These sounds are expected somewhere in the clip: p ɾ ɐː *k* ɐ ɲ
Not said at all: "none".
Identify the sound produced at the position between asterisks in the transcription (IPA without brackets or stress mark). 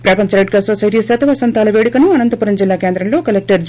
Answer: p